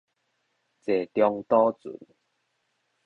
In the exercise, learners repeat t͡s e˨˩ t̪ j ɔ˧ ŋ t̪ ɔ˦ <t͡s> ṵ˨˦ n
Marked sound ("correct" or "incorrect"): correct